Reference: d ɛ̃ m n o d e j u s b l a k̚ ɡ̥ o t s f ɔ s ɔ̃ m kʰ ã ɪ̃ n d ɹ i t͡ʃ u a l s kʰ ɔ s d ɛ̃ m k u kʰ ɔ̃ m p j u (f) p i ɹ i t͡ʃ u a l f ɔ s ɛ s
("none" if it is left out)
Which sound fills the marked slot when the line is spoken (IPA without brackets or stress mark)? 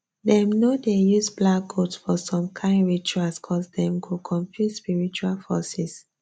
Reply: s